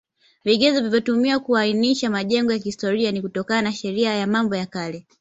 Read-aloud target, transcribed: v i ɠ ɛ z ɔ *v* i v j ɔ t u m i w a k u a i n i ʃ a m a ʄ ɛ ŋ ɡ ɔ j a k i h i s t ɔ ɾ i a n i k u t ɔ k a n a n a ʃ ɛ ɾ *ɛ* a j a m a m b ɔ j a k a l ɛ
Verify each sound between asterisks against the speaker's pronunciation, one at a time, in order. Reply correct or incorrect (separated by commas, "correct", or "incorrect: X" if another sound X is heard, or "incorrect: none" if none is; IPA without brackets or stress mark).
correct, incorrect: i